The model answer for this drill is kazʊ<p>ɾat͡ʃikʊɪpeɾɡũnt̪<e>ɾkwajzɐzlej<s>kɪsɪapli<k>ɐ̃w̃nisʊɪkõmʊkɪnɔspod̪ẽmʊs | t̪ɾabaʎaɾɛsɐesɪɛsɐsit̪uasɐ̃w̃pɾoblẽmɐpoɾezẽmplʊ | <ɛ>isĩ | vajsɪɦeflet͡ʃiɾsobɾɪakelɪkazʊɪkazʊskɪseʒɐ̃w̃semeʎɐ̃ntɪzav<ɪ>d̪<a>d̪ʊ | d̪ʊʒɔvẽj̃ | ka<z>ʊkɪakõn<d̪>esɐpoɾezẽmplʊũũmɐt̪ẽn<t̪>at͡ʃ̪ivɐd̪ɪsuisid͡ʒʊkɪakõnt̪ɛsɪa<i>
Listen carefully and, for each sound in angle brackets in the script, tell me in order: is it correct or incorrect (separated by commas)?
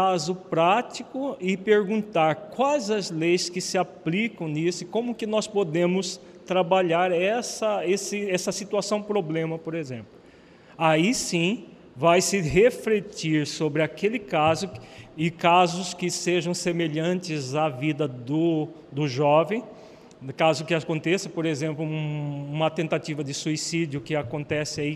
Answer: correct, incorrect, correct, correct, incorrect, incorrect, incorrect, correct, incorrect, correct, correct